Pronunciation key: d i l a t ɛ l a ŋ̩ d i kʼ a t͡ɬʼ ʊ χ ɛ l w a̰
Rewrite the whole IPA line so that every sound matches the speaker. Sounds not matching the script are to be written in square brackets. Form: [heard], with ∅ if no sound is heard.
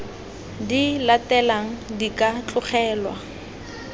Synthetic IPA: d i l a t ɛ l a ŋ̩ d i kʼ a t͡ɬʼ ʊ χ [ɛː] l w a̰